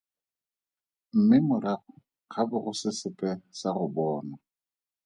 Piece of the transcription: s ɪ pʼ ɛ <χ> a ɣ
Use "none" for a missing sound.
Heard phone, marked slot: s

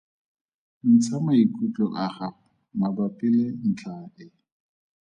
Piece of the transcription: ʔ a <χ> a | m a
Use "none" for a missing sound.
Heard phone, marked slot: χ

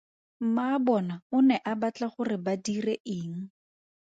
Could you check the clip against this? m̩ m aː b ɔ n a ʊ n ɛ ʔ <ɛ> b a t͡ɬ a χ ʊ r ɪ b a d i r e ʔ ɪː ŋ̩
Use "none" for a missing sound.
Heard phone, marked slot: a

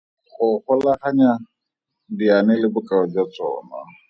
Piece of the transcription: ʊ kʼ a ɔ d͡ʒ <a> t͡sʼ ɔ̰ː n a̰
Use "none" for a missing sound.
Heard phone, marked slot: a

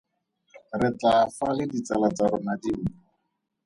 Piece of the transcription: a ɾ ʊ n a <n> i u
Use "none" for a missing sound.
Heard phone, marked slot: d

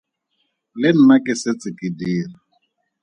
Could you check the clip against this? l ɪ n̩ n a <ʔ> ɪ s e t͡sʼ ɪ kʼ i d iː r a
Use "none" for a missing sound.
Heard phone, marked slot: k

